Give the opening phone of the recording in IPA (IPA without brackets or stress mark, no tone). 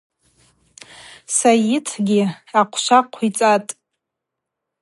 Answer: s